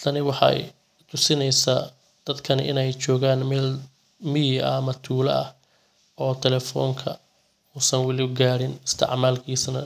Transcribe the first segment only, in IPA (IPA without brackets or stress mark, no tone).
t̪ʰ